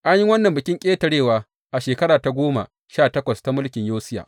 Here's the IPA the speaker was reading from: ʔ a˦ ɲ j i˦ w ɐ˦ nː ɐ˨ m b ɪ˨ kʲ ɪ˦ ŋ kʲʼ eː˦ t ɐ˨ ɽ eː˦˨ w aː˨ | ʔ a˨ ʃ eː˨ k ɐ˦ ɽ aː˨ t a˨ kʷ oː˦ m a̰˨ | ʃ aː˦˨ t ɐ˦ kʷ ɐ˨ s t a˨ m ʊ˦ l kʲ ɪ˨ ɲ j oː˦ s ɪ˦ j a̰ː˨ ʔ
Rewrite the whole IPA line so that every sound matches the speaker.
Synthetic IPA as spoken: ʔ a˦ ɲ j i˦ w ɐ˦ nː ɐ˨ m b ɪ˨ kʲ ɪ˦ ŋ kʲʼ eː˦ t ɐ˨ ɽ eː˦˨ w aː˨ | ʔ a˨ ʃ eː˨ k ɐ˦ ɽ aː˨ t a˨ ɡʷ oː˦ m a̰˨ | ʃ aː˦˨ t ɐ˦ kʷ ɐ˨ s t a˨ m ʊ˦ l kʲ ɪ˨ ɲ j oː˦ s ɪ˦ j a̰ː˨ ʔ